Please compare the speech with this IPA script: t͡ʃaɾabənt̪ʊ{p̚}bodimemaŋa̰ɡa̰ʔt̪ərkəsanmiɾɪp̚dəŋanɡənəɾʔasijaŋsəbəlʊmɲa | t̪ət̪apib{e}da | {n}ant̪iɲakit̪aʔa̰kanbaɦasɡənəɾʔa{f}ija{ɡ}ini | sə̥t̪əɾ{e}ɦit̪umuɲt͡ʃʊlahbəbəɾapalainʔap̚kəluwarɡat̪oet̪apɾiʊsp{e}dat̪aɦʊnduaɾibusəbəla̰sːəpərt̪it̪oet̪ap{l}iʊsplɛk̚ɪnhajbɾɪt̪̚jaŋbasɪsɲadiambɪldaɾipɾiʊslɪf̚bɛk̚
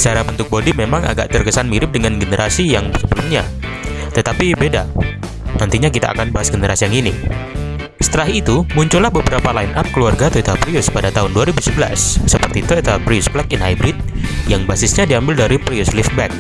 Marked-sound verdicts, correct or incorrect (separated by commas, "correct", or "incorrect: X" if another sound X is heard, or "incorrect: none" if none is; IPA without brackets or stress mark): incorrect: k̚, correct, correct, incorrect: s, incorrect: ŋ, incorrect: a, incorrect: a, incorrect: ɾ